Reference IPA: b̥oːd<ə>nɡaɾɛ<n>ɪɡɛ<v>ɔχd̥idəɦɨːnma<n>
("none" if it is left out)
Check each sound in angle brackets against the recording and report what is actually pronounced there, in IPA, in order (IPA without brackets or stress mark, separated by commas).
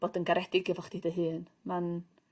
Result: ə, d, v, n